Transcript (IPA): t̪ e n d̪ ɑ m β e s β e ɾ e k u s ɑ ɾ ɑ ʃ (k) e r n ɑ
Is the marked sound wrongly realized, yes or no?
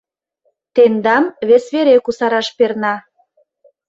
yes